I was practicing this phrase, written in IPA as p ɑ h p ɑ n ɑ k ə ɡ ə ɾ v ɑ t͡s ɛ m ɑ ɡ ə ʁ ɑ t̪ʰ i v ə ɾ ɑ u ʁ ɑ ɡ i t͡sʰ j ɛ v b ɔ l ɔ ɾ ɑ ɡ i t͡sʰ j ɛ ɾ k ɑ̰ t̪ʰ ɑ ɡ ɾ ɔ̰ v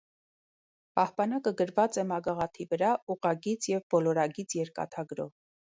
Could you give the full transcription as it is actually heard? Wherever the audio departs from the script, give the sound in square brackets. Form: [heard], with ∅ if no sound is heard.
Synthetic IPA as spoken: p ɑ h p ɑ n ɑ k ə ɡ ə ɾ v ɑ t͡s ɛ m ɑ ɡ [ɑ] ʁ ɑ t̪ʰ i v ə ɾ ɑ u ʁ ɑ ɡ i t͡sʰ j ɛ v b ɔ l ɔ ɾ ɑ ɡ i t͡sʰ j ɛ ɾ k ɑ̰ t̪ʰ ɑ ɡ ɾ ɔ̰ v